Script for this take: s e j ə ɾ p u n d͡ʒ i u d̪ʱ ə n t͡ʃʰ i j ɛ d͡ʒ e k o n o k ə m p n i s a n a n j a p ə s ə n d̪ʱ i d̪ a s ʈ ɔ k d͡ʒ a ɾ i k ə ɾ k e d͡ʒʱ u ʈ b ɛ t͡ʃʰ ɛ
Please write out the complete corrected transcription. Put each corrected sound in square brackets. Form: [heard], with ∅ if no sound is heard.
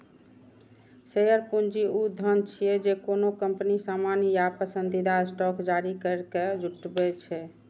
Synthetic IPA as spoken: s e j ə ɾ p u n d͡ʒ i u d̪ʱ ə n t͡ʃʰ i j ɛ d͡ʒ e k o n o k ə m p n i s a [m] a n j a p ə s ə n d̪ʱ i d̪ a s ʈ ɔ k d͡ʒ a ɾ i k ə ɾ k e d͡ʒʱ u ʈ b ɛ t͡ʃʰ ɛ